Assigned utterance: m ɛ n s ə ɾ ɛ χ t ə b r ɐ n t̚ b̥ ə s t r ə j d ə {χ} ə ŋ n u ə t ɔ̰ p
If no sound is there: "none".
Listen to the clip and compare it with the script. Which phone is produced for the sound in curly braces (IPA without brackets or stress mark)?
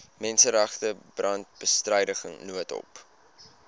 χ